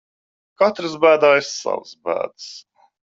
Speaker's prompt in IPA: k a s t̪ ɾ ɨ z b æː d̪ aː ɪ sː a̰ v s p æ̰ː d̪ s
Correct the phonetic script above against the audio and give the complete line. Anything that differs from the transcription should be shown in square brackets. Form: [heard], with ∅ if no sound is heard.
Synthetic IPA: k a [∅] t̪ ɾ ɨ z b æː d̪ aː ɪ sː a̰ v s [b] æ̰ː d̪ s